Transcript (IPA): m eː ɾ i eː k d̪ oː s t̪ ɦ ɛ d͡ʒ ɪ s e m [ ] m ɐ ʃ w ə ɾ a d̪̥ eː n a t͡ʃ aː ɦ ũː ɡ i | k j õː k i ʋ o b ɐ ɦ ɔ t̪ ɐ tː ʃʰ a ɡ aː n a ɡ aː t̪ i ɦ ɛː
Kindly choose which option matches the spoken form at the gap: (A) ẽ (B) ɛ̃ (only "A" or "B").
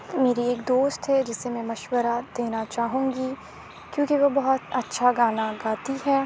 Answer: B